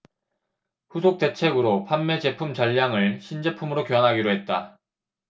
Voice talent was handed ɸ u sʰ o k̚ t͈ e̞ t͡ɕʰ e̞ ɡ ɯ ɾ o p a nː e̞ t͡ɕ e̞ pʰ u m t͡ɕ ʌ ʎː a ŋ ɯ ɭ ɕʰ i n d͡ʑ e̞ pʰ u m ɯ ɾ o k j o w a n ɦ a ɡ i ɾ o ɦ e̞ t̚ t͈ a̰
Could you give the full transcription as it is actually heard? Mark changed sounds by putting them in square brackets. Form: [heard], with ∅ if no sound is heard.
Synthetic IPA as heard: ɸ u sʰ o k̚ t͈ e̞ t͡ɕʰ e̞ ɡ ɯ ɾ o [pʰ] a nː e̞ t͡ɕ e̞ pʰ u m t͡ɕ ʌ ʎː a ŋ ɯ ɭ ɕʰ i n d͡ʑ e̞ pʰ u m ɯ ɾ o k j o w a n ɦ a ɡ i ɾ o ɦ e̞ t̚ t͈ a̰